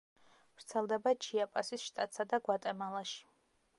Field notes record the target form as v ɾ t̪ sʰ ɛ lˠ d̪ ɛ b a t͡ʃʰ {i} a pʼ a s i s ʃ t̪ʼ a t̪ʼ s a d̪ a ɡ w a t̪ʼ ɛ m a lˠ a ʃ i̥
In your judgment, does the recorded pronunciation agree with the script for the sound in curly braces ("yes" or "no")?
yes